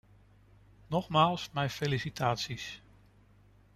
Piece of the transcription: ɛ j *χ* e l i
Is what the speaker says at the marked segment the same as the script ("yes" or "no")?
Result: no